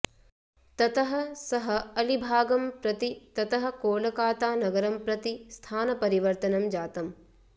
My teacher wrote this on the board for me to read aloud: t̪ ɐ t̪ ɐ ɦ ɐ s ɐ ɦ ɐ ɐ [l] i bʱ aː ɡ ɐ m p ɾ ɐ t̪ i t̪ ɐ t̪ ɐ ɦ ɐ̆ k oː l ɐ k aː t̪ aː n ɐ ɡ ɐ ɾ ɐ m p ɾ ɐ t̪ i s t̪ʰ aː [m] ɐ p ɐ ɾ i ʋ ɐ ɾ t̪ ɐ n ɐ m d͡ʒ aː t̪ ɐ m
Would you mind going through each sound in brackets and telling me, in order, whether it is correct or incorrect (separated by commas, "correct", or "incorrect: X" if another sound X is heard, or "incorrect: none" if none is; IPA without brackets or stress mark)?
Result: correct, incorrect: n